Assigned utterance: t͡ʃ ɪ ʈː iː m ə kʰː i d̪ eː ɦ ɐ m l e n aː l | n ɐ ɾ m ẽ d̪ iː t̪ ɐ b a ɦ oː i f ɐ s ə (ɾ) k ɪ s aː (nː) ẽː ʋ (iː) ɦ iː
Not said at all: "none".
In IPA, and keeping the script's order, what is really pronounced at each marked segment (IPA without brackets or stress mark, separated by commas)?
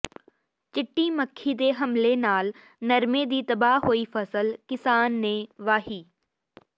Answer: l, nː, aː